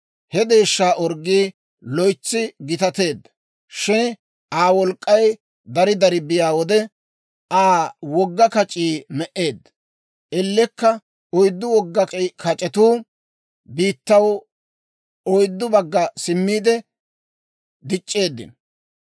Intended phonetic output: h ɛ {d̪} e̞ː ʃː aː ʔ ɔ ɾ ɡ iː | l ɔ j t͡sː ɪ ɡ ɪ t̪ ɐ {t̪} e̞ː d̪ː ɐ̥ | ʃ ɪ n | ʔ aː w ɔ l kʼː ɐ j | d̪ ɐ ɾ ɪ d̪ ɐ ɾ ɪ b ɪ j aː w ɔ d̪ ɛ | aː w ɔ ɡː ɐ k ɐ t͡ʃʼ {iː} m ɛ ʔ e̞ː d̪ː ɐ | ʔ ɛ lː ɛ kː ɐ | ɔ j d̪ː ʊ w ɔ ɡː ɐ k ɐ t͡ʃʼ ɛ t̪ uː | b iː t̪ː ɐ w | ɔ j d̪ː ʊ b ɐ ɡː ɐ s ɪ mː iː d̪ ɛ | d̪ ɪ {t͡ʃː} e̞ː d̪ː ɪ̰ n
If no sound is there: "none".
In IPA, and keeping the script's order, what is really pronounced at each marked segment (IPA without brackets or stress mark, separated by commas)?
d̪, t̪, iː, t͡ʃʼː